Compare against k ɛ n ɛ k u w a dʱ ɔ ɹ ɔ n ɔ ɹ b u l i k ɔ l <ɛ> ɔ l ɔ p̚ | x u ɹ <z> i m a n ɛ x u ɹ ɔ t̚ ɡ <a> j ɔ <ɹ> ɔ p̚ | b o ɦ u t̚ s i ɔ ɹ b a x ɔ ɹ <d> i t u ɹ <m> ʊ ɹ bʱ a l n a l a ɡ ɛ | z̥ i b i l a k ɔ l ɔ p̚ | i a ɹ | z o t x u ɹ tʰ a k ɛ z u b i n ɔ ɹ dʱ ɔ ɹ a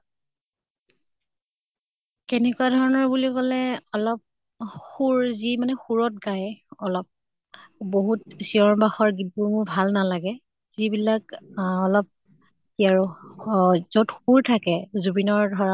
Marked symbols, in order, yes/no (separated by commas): yes, yes, yes, no, no, yes